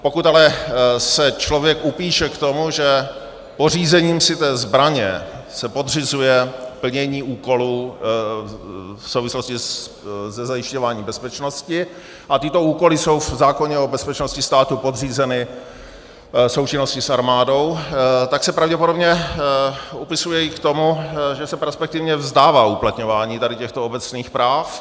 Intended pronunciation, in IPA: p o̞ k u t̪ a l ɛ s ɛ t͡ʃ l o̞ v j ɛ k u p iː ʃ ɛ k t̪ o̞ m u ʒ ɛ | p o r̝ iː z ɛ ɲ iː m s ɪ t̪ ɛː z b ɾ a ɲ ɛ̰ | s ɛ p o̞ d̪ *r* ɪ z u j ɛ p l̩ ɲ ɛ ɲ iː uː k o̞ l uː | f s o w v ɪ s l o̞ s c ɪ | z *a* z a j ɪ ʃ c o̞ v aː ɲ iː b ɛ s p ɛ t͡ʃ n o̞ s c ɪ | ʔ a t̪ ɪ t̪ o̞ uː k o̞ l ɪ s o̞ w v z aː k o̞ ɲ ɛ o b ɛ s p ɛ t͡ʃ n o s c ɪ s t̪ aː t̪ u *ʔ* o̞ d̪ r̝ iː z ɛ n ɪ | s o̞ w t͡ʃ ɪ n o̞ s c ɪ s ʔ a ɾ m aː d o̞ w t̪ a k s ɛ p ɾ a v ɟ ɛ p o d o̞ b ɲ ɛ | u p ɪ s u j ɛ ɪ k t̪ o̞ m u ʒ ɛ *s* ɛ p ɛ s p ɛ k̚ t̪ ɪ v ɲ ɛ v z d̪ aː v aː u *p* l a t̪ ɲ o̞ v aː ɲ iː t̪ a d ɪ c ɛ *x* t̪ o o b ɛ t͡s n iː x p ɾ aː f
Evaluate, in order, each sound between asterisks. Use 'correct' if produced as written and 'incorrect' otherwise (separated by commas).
correct, incorrect, incorrect, correct, correct, correct